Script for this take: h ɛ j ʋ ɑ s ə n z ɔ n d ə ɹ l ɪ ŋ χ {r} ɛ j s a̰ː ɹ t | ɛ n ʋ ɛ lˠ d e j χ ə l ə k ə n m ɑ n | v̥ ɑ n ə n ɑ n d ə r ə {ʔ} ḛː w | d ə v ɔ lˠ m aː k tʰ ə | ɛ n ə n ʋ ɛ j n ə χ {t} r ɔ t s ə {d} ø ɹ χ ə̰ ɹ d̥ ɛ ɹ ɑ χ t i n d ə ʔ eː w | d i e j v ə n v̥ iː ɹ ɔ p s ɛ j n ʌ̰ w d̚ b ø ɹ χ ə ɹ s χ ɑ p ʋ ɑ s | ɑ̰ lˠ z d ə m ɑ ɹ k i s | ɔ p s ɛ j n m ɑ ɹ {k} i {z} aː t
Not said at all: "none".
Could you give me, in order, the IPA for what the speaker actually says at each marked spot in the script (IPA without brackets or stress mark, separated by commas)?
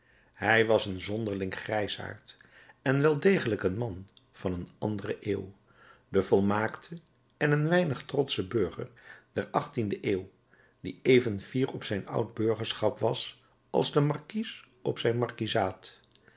r, ʔ, t, b, k, z